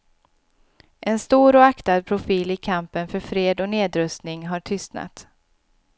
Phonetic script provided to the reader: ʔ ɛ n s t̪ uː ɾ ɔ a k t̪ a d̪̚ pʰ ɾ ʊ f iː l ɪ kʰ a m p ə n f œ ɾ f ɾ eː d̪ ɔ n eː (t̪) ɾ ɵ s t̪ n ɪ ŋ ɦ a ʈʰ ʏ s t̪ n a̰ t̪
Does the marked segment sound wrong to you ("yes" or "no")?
yes